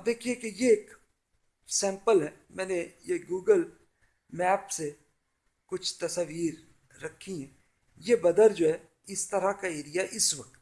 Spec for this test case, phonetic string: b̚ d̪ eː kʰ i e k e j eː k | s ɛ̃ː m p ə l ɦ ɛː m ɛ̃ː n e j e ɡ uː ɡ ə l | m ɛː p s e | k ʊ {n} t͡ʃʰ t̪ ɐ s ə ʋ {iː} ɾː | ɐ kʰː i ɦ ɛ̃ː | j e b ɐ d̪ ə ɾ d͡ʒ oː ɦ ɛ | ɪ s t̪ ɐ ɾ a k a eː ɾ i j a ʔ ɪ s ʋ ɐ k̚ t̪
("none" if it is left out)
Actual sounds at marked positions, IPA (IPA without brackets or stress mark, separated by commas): none, iː